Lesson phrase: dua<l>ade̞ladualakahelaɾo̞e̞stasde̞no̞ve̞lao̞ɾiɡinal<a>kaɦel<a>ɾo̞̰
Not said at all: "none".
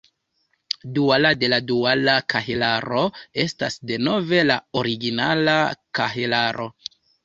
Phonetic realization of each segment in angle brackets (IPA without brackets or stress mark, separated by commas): l, a, a